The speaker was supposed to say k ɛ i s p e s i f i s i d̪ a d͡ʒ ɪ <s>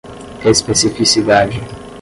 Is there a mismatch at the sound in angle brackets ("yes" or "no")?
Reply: yes